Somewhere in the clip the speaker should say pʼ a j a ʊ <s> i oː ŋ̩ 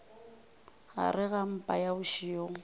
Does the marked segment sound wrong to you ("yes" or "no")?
yes